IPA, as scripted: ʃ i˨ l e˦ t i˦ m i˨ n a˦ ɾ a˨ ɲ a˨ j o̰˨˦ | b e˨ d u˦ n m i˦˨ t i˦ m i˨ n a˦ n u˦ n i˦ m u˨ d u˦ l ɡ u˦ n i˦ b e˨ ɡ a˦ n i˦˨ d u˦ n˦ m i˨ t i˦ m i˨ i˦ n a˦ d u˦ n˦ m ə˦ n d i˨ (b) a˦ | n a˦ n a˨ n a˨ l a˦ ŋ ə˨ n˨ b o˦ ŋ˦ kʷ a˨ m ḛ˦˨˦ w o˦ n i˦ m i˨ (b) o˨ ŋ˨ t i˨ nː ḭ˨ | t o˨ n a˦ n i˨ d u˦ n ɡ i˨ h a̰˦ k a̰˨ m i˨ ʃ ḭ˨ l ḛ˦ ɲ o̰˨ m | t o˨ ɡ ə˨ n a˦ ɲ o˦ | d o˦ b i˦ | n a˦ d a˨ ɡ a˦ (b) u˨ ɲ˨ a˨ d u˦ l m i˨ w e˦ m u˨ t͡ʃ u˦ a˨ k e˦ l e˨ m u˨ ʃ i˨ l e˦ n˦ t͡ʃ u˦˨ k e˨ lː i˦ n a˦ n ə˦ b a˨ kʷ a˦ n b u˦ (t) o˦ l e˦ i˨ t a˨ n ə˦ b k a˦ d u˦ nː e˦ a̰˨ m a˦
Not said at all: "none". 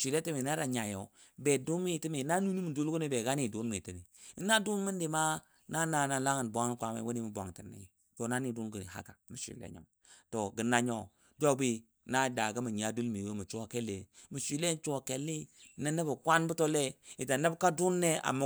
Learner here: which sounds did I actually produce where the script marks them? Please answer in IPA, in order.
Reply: m, b, m, t

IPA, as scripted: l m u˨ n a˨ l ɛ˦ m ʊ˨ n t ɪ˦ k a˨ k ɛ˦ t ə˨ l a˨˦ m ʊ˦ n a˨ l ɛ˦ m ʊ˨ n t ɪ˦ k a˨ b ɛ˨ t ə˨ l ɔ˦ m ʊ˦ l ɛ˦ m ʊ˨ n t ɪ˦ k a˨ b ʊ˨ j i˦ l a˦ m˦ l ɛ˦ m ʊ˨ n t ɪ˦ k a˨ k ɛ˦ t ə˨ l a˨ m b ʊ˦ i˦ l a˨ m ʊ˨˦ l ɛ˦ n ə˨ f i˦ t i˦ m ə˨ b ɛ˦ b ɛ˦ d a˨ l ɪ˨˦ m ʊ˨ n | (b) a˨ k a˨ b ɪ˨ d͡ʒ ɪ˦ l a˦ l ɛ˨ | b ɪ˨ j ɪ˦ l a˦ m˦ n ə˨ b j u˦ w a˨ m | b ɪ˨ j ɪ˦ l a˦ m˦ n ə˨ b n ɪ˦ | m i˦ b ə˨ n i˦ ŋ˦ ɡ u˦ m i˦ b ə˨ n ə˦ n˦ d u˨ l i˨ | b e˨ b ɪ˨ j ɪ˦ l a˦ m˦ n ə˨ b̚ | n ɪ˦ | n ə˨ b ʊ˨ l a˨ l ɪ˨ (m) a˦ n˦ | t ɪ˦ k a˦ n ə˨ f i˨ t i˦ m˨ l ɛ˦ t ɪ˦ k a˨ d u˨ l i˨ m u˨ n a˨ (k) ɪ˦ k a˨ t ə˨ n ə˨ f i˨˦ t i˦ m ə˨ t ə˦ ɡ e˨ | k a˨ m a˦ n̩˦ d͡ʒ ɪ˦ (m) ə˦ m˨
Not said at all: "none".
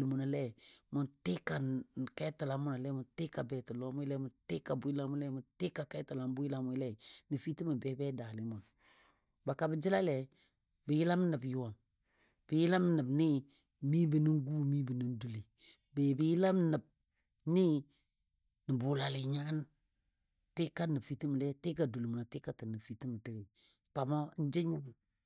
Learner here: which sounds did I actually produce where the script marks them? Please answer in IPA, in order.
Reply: b, ɲ, t, ɲ

